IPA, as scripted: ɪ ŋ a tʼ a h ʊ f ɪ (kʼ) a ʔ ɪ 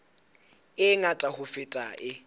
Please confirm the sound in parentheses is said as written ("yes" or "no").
no